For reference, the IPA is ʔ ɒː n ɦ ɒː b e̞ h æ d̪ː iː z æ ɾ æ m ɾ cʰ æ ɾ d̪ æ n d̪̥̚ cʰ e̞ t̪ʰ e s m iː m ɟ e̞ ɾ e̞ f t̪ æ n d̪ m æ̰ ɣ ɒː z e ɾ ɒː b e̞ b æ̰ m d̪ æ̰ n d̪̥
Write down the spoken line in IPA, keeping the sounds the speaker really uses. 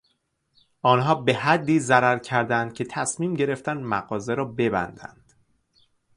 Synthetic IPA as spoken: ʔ ɒː n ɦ ɒː b e̞ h æ d̪ː iː z æ ɾ æ ɾ cʰ æ ɾ d̪ æ n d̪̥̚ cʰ e̞ t̪ʰ æ s m iː m ɟ e̞ ɾ e̞ f t̪ æ n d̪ m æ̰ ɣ ɒː z e ɾ ɒː b e̞ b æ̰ n d̪ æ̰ n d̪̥